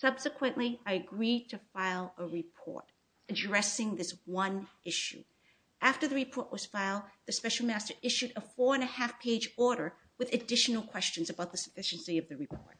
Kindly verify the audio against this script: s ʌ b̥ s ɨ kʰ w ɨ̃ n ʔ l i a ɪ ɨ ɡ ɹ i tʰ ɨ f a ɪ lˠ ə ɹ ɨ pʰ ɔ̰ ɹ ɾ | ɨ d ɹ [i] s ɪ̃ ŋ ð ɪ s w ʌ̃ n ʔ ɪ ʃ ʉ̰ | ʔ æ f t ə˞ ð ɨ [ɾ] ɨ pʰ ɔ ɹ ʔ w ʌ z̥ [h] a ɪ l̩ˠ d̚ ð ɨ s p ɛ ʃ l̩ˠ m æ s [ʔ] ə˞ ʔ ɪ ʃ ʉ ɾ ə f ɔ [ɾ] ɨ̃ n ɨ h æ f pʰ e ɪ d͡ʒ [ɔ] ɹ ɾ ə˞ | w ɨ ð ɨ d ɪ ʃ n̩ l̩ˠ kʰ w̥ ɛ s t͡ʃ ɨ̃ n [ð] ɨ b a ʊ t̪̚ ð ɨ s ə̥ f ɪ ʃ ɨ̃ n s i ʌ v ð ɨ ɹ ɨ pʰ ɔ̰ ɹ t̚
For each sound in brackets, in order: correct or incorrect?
incorrect, incorrect, incorrect, incorrect, incorrect, correct, incorrect

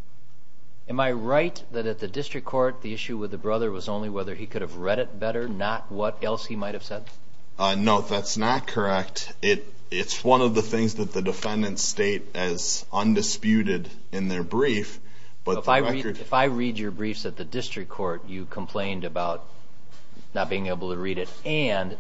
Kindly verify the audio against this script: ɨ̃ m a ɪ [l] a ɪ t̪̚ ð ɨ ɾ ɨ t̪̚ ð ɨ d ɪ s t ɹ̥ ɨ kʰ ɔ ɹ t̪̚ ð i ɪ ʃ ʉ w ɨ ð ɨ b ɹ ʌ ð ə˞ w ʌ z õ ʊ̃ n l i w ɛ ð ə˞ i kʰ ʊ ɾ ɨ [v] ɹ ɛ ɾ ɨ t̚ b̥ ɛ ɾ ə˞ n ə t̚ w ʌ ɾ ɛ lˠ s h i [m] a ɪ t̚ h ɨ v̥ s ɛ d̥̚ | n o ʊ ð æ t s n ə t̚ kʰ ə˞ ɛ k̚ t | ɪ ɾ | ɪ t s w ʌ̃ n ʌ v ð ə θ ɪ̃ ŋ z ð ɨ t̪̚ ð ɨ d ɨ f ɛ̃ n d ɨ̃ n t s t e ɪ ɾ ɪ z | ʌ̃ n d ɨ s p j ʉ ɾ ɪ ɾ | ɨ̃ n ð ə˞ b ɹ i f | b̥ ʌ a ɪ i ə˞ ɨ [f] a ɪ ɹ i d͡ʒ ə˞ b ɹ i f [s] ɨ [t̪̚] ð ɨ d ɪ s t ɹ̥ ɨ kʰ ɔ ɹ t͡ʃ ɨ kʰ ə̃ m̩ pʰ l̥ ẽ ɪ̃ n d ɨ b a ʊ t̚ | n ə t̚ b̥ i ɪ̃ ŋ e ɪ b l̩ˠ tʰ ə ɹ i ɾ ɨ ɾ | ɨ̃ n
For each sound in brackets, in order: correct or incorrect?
incorrect, correct, correct, correct, correct, correct

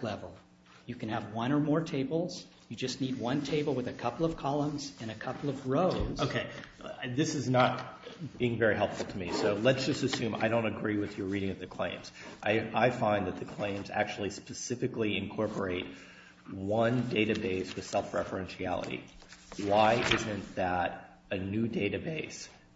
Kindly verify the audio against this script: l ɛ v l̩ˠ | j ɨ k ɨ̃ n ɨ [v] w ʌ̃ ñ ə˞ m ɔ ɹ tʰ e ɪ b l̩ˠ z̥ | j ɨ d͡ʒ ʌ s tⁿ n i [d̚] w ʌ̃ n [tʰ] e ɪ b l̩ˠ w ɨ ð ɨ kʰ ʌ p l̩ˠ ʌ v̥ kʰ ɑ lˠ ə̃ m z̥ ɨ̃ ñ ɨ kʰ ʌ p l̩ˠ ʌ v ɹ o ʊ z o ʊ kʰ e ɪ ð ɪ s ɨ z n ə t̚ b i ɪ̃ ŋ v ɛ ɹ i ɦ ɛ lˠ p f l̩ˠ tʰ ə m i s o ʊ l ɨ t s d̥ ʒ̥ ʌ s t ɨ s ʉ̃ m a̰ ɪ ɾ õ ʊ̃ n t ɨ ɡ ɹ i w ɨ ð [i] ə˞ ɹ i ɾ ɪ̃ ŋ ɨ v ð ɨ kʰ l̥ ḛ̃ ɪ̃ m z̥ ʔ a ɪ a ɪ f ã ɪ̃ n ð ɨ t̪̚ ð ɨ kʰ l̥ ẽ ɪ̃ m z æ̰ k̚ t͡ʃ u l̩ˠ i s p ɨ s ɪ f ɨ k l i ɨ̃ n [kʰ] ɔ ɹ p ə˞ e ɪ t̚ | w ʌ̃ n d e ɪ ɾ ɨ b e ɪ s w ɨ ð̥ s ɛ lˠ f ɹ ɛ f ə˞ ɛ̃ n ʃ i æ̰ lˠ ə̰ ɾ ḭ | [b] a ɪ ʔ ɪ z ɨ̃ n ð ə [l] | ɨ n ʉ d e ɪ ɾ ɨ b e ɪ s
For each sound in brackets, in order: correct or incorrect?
correct, correct, correct, incorrect, correct, incorrect, incorrect

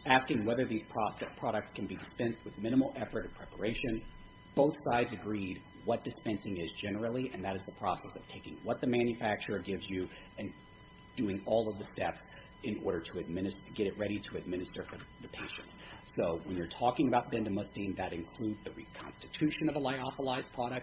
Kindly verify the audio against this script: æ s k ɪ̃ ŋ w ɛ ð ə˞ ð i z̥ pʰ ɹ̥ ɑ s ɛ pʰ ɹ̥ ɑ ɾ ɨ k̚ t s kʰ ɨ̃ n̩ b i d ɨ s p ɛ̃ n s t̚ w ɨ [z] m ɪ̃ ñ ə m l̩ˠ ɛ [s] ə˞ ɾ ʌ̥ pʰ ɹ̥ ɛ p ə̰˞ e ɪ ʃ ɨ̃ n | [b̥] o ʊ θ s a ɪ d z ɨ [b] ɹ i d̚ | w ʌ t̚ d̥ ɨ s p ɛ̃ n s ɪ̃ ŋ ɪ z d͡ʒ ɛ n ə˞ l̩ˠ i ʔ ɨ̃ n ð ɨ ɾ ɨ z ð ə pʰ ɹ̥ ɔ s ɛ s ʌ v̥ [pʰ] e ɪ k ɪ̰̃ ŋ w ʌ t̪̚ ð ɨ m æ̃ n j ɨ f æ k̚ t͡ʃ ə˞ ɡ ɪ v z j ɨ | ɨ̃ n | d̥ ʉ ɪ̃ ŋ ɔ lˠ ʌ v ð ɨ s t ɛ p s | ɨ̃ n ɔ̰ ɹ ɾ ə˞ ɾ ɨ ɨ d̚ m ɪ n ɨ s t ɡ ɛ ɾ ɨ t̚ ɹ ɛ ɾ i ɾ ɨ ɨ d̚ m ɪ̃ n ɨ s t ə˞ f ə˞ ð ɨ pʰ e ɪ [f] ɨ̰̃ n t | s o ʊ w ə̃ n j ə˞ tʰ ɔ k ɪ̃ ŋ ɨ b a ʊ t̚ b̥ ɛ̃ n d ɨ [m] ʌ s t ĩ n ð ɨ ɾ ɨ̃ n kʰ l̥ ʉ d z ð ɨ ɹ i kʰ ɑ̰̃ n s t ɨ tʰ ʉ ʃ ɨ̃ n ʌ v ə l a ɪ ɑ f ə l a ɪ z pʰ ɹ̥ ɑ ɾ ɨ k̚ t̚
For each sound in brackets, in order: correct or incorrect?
incorrect, incorrect, correct, incorrect, incorrect, incorrect, correct

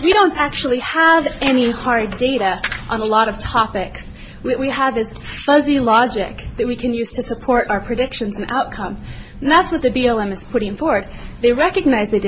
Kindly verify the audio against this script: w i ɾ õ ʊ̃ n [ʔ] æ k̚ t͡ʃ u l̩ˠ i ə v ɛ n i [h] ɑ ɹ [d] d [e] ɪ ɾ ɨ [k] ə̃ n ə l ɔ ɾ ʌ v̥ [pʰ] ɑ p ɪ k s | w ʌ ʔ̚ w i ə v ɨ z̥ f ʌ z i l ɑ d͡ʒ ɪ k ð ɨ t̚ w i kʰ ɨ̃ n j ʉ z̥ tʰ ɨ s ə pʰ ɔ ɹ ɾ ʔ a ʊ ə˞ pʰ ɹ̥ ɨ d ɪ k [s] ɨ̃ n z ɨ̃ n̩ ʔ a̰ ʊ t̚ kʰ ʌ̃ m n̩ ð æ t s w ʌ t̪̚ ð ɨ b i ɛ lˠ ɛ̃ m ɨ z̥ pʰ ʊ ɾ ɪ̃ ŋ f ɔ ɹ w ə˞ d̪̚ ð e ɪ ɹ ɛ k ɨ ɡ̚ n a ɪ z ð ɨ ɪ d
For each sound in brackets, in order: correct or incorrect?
incorrect, correct, correct, correct, incorrect, incorrect, incorrect

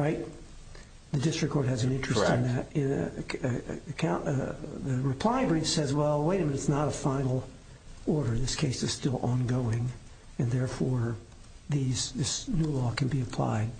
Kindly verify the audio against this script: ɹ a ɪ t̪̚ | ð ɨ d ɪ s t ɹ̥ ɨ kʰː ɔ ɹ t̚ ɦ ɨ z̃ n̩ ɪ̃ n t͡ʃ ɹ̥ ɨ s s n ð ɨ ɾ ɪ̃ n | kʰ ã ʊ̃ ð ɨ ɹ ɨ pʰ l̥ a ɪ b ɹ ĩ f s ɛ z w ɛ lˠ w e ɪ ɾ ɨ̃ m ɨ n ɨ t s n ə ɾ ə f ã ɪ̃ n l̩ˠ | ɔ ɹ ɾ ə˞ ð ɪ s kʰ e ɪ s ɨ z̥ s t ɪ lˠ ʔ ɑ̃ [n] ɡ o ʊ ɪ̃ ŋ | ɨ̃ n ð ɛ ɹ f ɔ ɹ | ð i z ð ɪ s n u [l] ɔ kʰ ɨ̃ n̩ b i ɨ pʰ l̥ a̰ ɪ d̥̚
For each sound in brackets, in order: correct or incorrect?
correct, correct

